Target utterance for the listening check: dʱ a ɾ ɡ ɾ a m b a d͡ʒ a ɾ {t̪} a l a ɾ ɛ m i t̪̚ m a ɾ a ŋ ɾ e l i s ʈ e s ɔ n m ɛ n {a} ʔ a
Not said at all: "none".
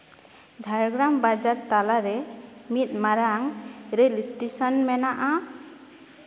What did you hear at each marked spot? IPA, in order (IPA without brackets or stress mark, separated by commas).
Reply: t̪, a